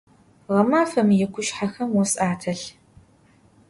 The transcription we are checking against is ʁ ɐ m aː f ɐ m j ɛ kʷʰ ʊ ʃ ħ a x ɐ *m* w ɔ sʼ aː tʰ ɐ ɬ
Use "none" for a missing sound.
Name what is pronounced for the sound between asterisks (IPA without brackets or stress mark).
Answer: m